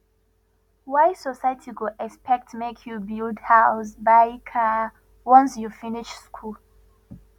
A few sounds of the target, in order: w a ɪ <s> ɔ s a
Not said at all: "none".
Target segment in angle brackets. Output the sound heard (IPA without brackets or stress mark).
s